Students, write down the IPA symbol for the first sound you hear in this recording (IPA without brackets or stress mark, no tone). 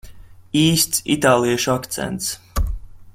iː